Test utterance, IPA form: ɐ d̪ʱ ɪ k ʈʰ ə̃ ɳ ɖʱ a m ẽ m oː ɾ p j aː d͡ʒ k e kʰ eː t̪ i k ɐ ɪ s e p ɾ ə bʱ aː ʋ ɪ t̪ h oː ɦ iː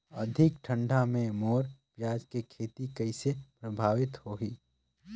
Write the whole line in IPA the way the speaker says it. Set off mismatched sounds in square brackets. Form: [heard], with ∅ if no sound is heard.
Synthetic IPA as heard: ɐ d̪ʱ ɪ k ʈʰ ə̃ ɳ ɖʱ a m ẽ m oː ɾ p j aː d͡ʒ k e kʰ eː t̪ i k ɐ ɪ s e p ɾ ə bʱ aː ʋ ɪ t̪ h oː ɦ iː

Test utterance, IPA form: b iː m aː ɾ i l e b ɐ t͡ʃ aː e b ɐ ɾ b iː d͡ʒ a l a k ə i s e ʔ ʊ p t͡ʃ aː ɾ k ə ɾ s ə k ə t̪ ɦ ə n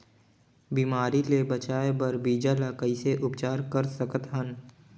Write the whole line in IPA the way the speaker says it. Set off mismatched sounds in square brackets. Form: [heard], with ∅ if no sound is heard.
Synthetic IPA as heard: b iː m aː ɾ i l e b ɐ t͡ʃ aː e b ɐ ɾ b iː d͡ʒ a l a k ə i s e ʔ ʊ p t͡ʃ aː ɾ k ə ɾ s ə k ə t̪ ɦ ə n

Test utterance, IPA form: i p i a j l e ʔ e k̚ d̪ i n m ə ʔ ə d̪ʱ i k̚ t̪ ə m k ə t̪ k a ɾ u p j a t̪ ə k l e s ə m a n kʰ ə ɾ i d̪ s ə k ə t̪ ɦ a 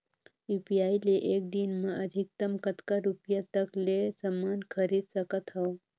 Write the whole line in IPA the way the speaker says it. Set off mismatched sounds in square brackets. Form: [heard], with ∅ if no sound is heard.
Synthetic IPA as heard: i p i a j l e ʔ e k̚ d̪ i n m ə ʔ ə d̪ʱ i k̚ t̪ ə m k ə t̪ k a ɾ u p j a t̪ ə k l e s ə m a n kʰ ə ɾ i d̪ s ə k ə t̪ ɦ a

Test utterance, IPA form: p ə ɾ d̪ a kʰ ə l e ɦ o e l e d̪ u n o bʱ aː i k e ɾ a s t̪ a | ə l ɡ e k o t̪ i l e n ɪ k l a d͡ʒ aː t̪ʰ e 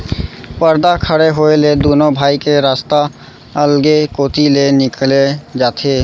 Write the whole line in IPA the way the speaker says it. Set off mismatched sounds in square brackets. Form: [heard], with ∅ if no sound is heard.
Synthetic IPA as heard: p ə ɾ d̪ a kʰ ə [ɽ] e ɦ o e l e d̪ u n o bʱ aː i k e ɾ a s t̪ a | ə l ɡ e k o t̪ i l e n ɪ k l [e] d͡ʒ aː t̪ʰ e

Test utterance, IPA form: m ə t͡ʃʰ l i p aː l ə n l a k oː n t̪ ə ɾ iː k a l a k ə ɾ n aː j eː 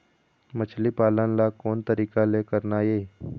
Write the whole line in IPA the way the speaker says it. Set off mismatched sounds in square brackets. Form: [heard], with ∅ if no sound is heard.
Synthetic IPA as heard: m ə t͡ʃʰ l i p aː l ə n l a k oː n t̪ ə ɾ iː k a l [e] k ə ɾ n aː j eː

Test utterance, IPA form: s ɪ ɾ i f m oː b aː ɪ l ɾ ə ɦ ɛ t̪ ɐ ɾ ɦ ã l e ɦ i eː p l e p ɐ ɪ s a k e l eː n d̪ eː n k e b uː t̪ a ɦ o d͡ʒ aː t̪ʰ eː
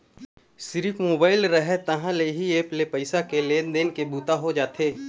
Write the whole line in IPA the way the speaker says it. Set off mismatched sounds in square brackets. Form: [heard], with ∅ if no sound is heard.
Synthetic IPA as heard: s ɪ ɾ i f m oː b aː ɪ l ɾ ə ɦ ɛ t̪ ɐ [∅] ɦ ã l e ɦ i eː p l e p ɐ ɪ s a k e l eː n d̪ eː n k e b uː t̪ a ɦ o d͡ʒ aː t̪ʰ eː

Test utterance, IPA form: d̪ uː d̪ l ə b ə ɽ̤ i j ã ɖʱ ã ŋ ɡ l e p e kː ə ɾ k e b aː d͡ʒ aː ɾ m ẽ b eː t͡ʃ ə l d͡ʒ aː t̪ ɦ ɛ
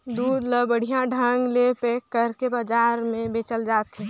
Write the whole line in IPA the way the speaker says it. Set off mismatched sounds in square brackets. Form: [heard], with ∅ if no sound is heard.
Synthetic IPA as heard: d̪ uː d̪ l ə b ə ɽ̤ i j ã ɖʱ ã ŋ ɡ l e p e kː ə ɾ k e b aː d͡ʒ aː ɾ m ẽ b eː t͡ʃ ə l d͡ʒ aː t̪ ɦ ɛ

